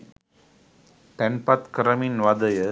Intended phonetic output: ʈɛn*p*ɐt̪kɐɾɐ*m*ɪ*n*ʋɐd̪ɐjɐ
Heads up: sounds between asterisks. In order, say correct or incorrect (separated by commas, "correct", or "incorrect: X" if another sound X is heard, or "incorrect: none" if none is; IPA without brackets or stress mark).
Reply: correct, correct, correct